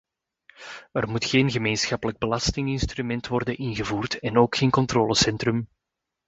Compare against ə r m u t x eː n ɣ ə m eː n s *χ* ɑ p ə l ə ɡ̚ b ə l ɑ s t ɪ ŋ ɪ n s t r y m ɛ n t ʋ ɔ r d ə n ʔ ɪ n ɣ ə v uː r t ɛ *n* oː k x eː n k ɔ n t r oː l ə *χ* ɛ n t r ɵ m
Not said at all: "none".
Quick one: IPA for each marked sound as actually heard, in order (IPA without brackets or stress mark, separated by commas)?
x, n, s